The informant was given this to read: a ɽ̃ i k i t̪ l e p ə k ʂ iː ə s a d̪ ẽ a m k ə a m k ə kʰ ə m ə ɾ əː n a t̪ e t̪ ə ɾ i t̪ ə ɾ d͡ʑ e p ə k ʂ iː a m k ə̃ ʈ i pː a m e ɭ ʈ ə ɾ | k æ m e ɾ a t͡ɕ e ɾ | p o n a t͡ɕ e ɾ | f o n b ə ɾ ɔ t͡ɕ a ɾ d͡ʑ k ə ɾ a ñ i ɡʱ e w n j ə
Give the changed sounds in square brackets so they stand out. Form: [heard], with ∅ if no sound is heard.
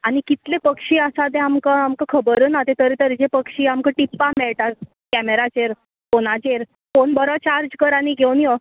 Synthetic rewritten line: a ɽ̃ i k i t̪ l e p ə k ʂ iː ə s a d̪ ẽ a m k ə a m k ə kʰ ə [b] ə ɾ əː n a t̪ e t̪ ə ɾ i t̪ ə ɾ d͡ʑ e p ə k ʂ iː a m k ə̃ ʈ i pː a m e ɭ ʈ [a] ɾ | k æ m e ɾ a t͡ɕ e ɾ | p o n a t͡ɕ e ɾ | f o n b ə ɾ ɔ t͡ɕ a ɾ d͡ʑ k ə ɾ a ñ i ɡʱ e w n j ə